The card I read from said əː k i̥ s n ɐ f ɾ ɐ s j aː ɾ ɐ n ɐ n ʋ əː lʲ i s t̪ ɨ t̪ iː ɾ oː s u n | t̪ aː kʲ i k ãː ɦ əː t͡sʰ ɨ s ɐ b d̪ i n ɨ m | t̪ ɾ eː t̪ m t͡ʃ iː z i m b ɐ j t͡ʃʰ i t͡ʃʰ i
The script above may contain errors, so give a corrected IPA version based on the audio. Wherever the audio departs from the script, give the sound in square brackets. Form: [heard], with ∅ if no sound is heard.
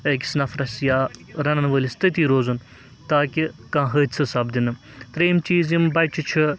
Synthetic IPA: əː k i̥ s n ɐ f ɾ ɐ s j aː ɾ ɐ n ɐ n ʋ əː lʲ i s t̪ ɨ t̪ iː ɾ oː [z] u n | t̪ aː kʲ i k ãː ɦ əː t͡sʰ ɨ s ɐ b d̪ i n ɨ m | t̪ ɾ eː [∅] m t͡ʃ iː z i m b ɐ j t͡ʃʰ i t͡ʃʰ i

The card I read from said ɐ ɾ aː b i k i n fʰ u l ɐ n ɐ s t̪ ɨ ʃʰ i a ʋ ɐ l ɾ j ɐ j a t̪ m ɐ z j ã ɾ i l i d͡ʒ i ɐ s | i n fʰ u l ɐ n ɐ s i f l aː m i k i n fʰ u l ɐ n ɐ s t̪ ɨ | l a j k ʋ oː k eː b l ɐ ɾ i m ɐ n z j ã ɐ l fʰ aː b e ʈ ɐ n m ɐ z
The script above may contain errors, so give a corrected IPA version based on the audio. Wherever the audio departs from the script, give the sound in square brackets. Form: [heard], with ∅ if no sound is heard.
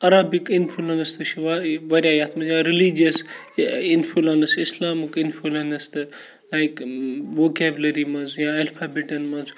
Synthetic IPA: ɐ ɾ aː b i k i n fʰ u l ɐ n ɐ s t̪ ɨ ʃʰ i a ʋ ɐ [∅] ɾ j [a] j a t̪ m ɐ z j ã ɾ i l i d͡ʒ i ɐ s | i n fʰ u l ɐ n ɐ s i [s] l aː m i k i n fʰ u l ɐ n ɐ s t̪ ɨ | l a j k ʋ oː k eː b l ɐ ɾ i m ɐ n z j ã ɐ l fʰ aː b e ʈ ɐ n m ɐ z

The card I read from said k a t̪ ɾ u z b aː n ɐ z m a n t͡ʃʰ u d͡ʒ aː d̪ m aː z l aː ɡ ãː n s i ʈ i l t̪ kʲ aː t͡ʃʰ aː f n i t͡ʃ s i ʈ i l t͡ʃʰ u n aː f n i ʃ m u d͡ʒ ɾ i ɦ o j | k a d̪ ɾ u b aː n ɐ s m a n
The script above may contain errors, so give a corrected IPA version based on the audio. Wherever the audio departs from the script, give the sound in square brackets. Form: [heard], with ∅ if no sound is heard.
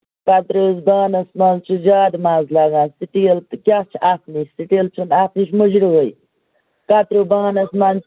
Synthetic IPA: k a t̪ ɾ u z b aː n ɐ [s] m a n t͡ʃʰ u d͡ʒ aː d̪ m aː z l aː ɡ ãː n s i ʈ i l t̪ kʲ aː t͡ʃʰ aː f n i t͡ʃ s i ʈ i l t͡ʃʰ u n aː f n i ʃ m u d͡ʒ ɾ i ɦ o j | k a [t̪] ɾ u b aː n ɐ s m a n

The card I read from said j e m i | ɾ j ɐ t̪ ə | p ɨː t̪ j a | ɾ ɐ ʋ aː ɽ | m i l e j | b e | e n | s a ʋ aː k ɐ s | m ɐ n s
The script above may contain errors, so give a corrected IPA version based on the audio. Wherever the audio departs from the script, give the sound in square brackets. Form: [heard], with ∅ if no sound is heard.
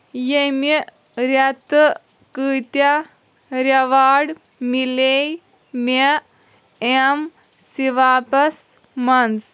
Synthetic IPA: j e m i | ɾ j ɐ t̪ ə | [k] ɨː t̪ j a | ɾ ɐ ʋ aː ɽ | m i l e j | [m] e | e [m] | s [i] ʋ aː [p] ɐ s | m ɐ n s

